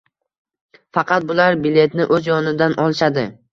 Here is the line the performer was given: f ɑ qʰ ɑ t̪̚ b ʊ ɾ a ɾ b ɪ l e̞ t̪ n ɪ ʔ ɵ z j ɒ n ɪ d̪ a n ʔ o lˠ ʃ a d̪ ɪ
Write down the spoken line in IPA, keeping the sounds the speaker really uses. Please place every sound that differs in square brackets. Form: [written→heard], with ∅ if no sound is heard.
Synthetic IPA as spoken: f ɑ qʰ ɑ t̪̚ b ʊ [ɾ→l] a ɾ b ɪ l e̞ t̪ n ɪ ʔ ɵ z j ɒ n ɪ d̪ a n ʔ [o→ɒ] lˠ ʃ a d̪ ɪ